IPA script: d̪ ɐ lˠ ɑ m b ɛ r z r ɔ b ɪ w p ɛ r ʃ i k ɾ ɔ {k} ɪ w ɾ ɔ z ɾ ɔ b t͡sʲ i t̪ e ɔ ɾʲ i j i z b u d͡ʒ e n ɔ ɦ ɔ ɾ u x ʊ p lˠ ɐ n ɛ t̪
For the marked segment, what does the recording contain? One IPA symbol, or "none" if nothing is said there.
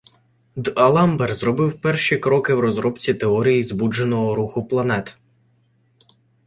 k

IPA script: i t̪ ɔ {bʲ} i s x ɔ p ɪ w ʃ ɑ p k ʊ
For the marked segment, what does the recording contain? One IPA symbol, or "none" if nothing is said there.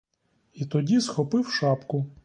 dʲ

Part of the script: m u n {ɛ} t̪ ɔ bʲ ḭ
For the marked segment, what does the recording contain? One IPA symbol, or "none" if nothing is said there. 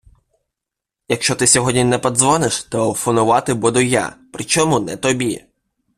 ɛ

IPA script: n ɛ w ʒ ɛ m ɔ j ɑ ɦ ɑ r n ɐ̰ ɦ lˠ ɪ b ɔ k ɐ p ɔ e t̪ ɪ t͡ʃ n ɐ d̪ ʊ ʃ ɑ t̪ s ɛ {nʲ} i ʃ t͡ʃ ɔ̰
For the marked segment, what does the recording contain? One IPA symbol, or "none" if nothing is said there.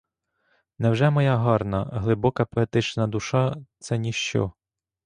nʲ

